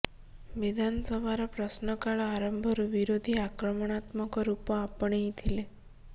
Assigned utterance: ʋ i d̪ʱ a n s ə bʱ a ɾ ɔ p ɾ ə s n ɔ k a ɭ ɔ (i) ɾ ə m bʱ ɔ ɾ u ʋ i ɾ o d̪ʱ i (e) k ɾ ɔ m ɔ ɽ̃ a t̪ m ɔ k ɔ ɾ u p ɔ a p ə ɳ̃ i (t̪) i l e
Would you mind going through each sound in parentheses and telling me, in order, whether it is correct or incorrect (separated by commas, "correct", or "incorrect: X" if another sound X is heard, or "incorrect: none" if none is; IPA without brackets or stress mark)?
incorrect: a, incorrect: a, incorrect: t̪ʰ